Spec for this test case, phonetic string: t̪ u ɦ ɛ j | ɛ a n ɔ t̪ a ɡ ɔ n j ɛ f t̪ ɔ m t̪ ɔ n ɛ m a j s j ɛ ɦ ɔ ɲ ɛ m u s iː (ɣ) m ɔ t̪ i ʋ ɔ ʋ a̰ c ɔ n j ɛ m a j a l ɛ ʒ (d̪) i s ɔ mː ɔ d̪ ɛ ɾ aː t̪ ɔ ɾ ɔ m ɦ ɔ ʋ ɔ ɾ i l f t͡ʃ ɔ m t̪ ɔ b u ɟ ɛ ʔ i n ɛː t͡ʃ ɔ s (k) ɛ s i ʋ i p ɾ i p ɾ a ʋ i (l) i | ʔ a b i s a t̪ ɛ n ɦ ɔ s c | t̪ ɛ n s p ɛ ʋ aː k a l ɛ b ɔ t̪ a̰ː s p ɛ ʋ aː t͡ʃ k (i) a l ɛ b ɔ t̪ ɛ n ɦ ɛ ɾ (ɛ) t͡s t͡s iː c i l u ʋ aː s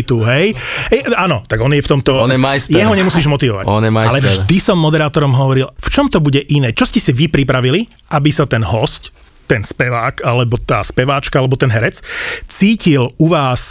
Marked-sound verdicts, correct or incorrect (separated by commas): incorrect, correct, incorrect, correct, incorrect, correct